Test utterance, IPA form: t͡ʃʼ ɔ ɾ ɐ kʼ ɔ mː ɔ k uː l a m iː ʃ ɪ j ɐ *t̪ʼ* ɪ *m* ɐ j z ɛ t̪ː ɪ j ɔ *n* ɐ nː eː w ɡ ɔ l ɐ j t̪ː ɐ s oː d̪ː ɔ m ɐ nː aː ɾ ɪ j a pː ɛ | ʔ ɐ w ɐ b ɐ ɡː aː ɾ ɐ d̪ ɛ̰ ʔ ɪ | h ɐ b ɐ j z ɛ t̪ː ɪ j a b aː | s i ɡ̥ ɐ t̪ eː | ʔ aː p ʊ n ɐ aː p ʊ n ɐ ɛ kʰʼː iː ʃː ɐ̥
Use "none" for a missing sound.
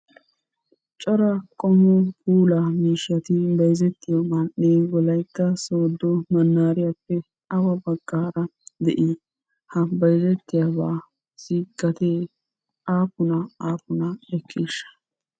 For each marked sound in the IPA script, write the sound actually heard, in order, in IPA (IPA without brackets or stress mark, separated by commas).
t̪, b, m